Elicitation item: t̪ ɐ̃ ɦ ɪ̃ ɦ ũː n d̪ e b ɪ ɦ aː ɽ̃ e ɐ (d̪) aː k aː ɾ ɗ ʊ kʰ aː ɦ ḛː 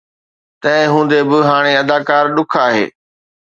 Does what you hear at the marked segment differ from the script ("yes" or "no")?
no